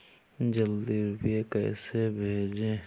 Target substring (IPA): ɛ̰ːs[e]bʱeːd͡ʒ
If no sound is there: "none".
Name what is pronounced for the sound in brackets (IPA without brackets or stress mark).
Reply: e